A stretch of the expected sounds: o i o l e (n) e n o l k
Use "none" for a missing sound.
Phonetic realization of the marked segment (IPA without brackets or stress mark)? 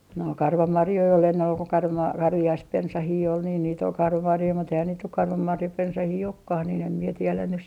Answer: nː